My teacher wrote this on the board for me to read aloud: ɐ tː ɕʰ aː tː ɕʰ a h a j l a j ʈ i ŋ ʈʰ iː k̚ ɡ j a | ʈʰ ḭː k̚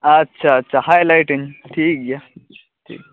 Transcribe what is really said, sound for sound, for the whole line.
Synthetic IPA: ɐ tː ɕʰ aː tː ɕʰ a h a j l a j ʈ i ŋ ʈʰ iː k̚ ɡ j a | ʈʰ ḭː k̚